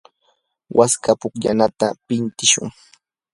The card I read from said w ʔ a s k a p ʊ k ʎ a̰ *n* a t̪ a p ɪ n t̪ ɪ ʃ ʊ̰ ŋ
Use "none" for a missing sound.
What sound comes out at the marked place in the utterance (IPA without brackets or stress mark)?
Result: n